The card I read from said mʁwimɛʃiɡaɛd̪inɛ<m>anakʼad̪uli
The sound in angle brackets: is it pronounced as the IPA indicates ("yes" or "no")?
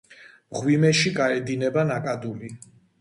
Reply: no